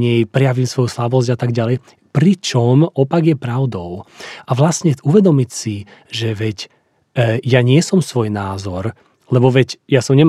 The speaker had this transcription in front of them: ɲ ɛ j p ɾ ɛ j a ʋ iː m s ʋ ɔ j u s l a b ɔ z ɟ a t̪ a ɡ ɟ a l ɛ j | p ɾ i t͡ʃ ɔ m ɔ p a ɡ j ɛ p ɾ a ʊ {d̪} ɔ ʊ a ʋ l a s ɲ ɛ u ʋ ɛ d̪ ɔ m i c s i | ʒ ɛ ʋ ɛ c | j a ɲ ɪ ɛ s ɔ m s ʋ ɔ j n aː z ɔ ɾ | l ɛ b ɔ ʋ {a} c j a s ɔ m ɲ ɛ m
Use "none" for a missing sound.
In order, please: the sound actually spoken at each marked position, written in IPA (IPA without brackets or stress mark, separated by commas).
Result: d̪, ɛ